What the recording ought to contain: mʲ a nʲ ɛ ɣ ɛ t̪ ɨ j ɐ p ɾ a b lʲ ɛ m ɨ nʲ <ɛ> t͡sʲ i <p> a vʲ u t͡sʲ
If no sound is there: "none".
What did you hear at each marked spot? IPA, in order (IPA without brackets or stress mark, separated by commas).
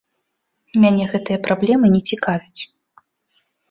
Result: ɛ, k